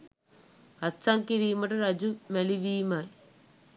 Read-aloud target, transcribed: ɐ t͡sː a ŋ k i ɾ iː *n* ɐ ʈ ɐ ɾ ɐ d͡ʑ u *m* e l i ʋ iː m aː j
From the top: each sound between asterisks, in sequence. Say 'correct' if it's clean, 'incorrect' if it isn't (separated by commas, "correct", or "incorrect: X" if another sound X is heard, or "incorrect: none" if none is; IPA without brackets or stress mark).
incorrect: m, correct